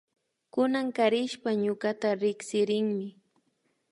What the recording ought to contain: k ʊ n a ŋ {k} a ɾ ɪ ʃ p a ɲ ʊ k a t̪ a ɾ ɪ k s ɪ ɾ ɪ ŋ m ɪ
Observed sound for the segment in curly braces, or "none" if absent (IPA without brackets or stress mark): k